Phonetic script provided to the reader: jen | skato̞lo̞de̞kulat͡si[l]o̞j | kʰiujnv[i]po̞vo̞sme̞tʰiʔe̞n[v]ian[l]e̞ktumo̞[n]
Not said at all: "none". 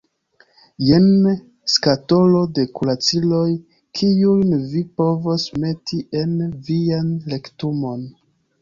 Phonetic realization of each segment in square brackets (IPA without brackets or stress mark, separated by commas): l, i, v, l, n